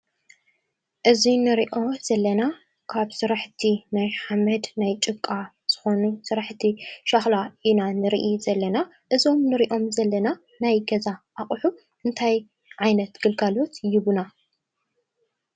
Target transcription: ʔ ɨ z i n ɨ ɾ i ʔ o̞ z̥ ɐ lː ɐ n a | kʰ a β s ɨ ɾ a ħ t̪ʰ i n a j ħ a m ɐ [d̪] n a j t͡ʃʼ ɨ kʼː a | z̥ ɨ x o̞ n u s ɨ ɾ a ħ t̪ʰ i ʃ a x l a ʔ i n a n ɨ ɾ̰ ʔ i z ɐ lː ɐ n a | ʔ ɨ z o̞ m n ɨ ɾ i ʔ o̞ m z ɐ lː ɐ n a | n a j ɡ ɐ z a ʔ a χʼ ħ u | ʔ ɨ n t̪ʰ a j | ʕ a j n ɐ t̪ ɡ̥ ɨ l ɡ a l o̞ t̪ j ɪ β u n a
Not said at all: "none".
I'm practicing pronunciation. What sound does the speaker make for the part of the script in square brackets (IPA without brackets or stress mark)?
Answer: d̪